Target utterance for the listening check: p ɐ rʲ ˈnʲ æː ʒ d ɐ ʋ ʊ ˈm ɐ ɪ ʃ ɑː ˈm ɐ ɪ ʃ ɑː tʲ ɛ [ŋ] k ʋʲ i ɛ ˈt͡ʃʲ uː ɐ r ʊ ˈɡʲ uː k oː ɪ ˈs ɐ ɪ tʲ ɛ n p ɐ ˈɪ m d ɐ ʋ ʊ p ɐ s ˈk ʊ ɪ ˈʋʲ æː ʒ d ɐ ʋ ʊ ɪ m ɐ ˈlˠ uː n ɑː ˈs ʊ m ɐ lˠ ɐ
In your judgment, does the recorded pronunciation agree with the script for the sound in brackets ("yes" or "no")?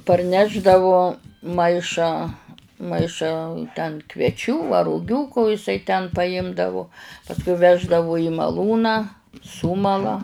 no